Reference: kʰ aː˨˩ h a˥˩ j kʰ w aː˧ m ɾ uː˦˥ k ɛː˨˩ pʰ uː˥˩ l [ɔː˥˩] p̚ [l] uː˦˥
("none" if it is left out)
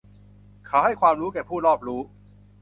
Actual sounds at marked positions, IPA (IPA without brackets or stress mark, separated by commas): ɔː˥˩, ɾ